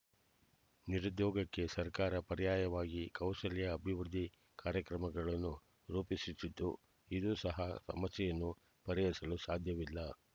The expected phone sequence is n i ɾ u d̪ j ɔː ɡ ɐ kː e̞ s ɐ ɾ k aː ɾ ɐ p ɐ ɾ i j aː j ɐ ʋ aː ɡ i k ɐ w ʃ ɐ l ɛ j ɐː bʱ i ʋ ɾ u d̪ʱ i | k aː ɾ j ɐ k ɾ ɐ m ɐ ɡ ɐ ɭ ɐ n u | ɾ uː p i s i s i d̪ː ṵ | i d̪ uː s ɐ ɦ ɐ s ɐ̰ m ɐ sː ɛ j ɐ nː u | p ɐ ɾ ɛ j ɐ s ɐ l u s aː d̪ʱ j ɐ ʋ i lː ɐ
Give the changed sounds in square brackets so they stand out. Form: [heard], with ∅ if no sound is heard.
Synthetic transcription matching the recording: n i ɾ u d̪ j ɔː ɡ ɐ kː e̞ s ɐ ɾ k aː ɾ ɐ p ɐ ɾ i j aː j ɐ ʋ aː ɡ i k ɐ w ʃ ɐ l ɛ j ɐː bʱ i ʋ ɾ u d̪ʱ i | k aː ɾ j ɐ k ɾ ɐ m ɐ ɡ ɐ ɭ ɐ [nː] u | ɾ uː p i s i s i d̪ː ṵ | i d̪ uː s ɐ ɦ ɐ s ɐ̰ m ɐ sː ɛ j ɐ nː u | p ɐ ɾ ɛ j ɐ s ɐ l u s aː d̪ʱ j ɐ ʋ i lː ɐ